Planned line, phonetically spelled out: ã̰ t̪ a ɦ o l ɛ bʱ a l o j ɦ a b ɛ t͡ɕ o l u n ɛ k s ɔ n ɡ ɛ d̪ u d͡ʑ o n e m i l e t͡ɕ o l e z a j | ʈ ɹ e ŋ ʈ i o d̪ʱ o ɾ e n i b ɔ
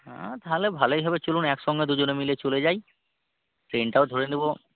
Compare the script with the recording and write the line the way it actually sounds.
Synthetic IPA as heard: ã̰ t̪ a ɦ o l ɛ bʱ a l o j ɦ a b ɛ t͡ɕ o l u n ɛ k s ɔ ŋ ɡ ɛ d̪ u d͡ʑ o n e m i l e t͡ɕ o l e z a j | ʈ ɹ e n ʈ a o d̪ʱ o ɹ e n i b ɔ